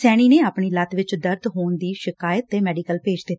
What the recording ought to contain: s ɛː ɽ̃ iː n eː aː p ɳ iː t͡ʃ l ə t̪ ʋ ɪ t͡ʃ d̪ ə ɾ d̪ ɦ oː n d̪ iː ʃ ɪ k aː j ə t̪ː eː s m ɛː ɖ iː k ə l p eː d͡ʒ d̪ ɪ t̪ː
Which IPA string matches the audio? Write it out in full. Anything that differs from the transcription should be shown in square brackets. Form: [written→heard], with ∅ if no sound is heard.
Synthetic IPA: s ɛː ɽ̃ iː n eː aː p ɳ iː [t͡ʃ→∅] l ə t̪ ʋ ɪ t͡ʃ d̪ ə ɾ d̪ ɦ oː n d̪ iː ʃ ɪ k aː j ə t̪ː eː [s→∅] m ɛː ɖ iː k ə l p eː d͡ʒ d̪ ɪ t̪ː